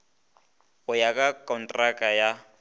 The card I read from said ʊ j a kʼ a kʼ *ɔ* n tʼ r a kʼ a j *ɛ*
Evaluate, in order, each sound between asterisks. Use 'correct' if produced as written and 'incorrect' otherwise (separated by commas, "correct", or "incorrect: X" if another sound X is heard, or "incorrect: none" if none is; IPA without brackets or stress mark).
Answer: correct, incorrect: a